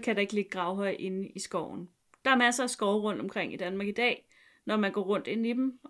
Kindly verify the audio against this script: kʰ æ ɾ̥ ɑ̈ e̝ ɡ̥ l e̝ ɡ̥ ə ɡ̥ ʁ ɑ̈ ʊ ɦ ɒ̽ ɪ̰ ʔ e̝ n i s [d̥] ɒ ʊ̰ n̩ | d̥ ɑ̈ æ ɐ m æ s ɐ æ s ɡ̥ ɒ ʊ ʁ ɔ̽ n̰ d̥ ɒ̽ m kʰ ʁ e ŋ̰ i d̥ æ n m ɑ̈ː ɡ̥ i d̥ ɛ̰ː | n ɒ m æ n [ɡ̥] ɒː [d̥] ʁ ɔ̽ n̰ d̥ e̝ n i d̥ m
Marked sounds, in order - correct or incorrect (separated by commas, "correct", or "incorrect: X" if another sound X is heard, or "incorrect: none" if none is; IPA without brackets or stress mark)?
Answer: incorrect: ɡ̥, correct, incorrect: none